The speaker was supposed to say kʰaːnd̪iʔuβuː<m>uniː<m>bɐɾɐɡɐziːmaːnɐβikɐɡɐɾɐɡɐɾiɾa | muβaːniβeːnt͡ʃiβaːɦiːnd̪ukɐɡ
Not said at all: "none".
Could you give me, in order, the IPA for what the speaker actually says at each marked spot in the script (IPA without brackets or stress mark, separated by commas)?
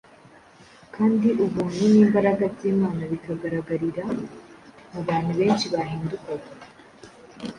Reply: n, m